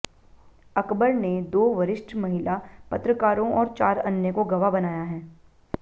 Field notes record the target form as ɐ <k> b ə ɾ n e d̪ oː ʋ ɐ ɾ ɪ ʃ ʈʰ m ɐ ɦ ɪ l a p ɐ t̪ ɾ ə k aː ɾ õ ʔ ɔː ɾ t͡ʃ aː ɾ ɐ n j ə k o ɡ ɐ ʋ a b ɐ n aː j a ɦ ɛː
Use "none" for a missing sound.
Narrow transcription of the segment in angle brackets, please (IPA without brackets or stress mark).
k